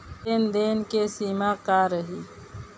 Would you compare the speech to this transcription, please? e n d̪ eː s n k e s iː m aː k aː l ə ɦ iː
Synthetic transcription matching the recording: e n d̪ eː n k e s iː m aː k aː ɾ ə ɦ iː

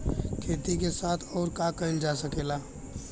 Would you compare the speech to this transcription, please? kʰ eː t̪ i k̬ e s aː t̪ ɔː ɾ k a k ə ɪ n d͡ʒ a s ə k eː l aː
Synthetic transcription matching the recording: kʰ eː t̪ i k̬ e s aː t̪ʰ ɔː ɾ k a k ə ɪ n d͡ʒ a s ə k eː l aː

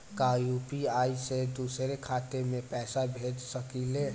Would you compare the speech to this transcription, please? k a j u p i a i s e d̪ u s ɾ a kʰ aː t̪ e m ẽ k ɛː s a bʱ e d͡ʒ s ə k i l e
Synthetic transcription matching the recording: k a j u p i a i s e d̪ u s ɾ e kʰ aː t̪ e m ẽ p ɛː s a bʱ e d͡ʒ s ə k i l e

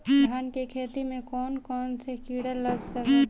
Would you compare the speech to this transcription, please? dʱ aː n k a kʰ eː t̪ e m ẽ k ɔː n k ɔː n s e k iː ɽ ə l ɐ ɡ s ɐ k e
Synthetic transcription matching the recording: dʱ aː n k e kʰ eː t̪ i m ẽ k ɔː n k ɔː n s e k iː ɽ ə l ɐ ɡ s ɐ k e

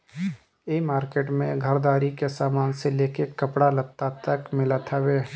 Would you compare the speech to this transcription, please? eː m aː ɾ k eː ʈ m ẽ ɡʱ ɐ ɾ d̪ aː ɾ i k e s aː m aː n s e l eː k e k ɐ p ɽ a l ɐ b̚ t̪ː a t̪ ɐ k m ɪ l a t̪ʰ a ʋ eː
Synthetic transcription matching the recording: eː m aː ɾ k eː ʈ m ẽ ɡʱ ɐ ɾ d̪ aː ɾ i k e s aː m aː n s e l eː k e k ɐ p ɽ a l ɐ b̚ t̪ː a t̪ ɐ k m ɪ l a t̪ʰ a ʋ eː

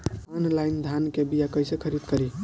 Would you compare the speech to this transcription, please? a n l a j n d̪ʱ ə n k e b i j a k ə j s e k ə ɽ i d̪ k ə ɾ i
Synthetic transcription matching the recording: a n l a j n d̪ʱ a n k e b i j a k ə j s e kʰ ə ɾ i d̪ k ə ɾ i

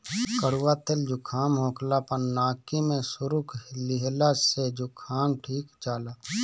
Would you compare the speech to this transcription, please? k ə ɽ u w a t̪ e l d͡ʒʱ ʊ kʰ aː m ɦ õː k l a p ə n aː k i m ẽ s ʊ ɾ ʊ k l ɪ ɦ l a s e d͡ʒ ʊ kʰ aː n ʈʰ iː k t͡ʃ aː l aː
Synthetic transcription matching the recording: k ə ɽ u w a t̪ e l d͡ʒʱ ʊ kʰ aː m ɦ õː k l a p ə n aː k i m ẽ s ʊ ɾ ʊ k l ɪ ɦ l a s e d͡ʒ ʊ kʰ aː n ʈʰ iː k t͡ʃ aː l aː

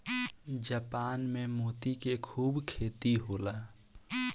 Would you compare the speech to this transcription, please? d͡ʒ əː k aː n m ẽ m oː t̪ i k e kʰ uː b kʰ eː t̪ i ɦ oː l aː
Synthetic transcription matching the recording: d͡ʒ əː p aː n m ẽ m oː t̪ i k e kʰ uː b kʰ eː t̪ i ɦ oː l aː

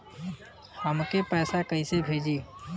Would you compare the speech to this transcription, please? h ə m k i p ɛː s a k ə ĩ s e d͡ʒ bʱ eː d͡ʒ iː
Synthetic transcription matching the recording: h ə m k e p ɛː s a k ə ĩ s e bʱ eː d͡ʒ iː

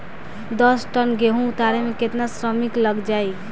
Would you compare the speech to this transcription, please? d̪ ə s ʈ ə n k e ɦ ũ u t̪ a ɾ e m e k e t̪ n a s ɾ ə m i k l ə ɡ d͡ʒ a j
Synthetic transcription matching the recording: d̪ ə s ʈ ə n ɡ e ɦ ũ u t̪ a ɾ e m e k e t̪ n a s ɾ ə m i k l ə ɡ d͡ʒ a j

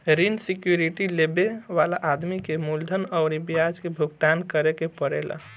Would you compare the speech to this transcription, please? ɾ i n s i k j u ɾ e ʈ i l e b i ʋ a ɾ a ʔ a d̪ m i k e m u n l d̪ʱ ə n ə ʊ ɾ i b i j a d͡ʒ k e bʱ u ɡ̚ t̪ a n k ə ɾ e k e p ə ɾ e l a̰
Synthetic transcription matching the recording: ɾ i n s i k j u ɾ i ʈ i l e b e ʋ a l a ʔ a d̪ m i k e m u l d̪ʱ ə n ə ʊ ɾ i b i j a d͡ʒ k e bʱ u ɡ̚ t̪ a n k ə ɾ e k e p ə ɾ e l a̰

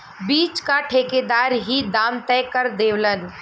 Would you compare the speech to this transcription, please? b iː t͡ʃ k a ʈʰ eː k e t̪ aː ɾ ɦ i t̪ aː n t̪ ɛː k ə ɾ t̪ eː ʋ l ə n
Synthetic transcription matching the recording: b iː t͡ʃ k a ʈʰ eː k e d̪ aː ɾ ɦ i d̪ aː m t̪ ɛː k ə ɾ d̪ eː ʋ l ə n

